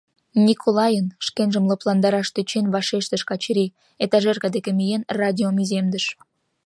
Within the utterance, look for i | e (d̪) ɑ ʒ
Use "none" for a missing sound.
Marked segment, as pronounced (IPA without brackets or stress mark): t̪